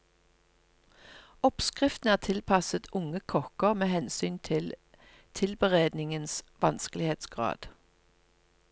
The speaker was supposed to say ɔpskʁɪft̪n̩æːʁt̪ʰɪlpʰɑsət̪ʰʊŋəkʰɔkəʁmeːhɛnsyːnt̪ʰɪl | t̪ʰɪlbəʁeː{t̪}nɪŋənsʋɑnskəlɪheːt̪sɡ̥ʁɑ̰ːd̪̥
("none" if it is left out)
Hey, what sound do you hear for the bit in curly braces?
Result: d̪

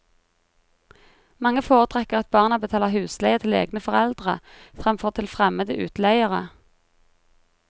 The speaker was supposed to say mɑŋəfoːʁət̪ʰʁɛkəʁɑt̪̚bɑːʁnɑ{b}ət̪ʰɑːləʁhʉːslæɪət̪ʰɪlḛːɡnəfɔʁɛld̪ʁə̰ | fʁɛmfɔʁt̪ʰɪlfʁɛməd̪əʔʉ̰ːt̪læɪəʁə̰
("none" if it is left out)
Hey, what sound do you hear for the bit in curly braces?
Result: b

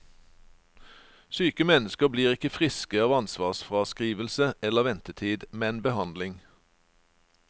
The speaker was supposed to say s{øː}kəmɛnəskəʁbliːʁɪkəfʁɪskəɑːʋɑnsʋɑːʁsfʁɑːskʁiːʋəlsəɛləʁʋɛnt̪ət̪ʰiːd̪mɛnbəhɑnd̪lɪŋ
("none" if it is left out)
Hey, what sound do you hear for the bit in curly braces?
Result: yː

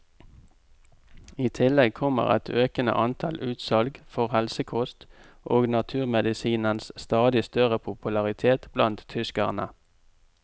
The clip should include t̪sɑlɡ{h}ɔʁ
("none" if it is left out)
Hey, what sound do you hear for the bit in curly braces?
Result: f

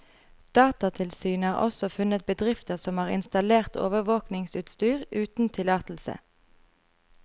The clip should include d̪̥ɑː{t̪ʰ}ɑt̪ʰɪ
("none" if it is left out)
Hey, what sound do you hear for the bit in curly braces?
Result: t̪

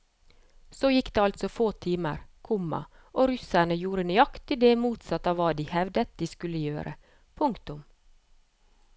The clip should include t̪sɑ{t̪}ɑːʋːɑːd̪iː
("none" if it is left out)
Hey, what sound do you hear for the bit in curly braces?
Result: t̪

